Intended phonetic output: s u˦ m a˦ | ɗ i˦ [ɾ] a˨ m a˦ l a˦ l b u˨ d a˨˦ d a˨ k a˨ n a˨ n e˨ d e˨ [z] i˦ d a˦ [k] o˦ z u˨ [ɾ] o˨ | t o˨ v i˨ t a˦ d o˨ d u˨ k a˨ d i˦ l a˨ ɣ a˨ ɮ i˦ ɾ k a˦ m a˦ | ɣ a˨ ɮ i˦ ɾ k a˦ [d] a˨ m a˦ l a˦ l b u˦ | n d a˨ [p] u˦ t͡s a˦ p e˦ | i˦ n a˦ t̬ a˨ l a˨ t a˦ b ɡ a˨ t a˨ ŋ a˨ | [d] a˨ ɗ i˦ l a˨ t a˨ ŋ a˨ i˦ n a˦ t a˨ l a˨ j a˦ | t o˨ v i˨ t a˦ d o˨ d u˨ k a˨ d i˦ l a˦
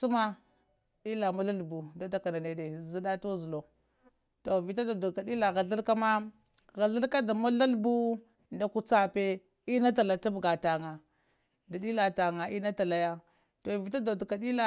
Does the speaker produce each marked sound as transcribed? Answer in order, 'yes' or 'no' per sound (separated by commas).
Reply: no, yes, no, no, yes, no, yes